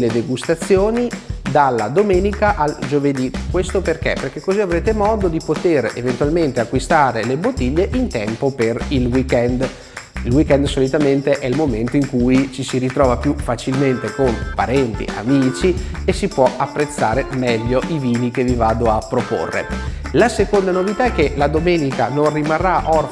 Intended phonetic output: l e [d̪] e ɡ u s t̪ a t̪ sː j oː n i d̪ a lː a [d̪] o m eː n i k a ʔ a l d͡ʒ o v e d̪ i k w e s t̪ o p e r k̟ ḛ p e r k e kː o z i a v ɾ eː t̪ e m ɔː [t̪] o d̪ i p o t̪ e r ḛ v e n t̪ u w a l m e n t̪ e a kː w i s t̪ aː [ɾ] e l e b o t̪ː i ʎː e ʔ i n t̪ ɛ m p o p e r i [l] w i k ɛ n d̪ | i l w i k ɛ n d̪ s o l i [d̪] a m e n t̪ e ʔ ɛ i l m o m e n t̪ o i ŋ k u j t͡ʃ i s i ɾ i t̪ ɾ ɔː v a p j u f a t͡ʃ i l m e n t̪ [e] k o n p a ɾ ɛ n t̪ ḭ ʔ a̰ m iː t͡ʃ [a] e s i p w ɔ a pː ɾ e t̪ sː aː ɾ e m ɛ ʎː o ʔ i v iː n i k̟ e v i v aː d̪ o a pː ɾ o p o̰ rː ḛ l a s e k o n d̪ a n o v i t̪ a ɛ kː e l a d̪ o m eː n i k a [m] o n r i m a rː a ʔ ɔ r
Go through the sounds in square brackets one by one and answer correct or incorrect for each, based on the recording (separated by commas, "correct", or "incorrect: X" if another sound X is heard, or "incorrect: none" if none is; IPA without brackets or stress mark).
correct, correct, incorrect: d̪, correct, correct, incorrect: t̪, correct, incorrect: i, incorrect: n